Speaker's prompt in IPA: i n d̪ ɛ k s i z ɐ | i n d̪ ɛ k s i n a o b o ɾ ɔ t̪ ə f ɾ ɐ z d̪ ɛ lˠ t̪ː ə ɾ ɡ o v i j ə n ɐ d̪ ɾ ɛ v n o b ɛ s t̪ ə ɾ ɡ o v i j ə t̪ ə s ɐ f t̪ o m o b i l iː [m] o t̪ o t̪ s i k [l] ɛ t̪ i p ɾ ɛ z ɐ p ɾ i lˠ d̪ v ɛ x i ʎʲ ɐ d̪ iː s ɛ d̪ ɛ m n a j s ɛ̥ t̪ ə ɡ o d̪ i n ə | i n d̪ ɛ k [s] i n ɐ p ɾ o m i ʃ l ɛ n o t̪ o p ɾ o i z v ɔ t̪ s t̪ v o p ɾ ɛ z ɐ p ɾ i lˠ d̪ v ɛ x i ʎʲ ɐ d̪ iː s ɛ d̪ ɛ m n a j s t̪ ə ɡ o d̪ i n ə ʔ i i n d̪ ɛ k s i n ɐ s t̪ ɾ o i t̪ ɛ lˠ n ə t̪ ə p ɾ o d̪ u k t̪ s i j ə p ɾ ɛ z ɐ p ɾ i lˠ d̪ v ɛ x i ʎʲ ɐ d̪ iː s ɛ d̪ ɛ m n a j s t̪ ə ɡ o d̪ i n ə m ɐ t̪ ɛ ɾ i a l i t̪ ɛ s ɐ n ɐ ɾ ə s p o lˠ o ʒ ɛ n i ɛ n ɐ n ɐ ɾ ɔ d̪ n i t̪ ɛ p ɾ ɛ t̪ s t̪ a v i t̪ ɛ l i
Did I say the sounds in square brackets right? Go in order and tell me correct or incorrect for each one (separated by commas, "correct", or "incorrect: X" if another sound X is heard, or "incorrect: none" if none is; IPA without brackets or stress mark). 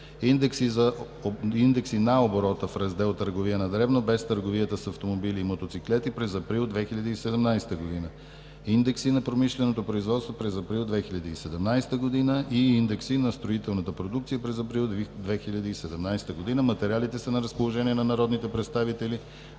correct, correct, correct